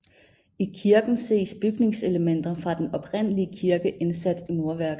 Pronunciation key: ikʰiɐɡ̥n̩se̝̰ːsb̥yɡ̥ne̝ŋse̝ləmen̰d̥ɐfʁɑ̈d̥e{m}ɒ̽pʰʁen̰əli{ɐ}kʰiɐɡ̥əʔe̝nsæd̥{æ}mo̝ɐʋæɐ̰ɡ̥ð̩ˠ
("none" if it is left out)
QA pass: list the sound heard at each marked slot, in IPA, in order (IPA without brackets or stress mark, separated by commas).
n, ə, i